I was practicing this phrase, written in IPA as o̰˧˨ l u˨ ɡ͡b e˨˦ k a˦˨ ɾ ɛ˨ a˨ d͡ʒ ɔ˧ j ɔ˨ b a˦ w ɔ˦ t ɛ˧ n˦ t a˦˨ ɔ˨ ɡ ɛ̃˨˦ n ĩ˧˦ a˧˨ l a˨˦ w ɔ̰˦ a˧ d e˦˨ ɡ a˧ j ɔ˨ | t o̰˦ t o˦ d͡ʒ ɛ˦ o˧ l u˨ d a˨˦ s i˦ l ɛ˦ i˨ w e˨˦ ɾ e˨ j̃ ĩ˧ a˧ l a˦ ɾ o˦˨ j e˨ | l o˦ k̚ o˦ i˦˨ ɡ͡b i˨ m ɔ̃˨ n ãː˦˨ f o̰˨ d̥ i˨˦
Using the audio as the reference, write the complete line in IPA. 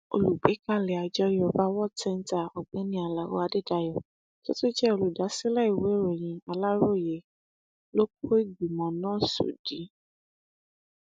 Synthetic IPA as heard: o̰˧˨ l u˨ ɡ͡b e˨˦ k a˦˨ l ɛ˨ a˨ d͡ʒ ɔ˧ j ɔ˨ b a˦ w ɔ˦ t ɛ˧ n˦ t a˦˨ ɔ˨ ɡ͡b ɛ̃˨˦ n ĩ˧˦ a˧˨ l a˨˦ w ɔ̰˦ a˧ d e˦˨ d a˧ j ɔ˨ | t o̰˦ t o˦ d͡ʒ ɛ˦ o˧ l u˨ d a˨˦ s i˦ l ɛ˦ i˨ w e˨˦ ɾ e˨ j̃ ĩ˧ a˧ l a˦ ɾ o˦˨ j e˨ | l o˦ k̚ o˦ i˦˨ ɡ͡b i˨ m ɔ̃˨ n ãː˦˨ s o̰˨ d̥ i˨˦